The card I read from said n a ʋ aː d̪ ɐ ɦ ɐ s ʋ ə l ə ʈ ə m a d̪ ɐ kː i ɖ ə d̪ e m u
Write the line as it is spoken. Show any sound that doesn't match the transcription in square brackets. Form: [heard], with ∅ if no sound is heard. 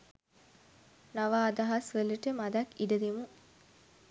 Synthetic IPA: n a ʋ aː d̪ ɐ ɦ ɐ s ʋ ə l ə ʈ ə m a d̪ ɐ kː i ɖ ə d̪ e m u